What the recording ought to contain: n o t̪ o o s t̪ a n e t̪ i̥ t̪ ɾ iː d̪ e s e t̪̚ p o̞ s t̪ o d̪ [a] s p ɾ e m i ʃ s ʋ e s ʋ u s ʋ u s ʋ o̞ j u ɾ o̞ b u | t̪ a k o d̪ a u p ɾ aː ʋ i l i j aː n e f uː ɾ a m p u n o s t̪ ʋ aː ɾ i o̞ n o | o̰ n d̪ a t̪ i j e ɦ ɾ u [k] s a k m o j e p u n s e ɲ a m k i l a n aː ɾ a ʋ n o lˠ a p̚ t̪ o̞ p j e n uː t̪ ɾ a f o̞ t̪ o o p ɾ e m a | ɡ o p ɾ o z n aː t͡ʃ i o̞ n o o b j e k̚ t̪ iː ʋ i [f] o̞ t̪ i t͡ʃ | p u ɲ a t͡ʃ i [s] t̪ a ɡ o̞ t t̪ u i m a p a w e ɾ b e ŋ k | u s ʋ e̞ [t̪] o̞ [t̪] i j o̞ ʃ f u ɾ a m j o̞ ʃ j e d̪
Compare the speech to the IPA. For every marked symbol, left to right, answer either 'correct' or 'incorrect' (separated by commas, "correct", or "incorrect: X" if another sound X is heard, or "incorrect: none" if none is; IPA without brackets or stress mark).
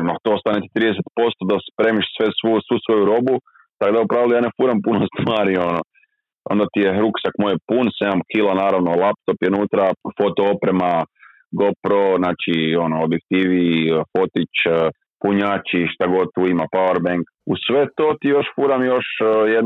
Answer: correct, correct, correct, incorrect: ʃ, correct, correct